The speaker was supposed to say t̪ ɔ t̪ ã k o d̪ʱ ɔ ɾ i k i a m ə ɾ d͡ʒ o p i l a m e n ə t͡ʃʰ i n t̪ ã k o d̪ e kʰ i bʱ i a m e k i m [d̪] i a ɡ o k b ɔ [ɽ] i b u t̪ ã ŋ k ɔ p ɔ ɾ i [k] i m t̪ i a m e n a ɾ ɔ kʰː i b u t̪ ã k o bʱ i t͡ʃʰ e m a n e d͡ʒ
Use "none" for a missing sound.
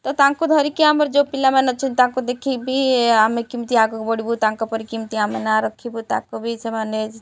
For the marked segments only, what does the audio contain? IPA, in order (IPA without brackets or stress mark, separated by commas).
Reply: t̪, ɽ, k